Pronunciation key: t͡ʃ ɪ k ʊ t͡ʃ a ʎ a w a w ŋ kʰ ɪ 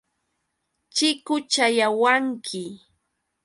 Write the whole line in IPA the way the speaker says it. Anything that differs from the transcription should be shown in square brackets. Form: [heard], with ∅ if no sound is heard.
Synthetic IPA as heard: t͡ʃ ɪ k ʊ t͡ʃ a [j] a w a [∅] ŋ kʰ ɪ

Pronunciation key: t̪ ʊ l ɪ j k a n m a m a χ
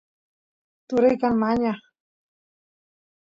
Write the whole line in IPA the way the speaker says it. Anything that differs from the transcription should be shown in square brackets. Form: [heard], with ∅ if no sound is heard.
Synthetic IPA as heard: t̪ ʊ [ɾ] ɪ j k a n m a [ɲ] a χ

